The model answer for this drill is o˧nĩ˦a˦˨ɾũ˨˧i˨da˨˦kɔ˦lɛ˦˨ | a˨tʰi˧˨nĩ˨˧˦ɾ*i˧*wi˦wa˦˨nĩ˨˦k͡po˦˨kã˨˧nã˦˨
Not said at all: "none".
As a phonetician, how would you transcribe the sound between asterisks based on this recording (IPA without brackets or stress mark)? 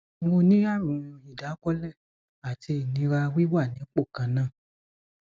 a˧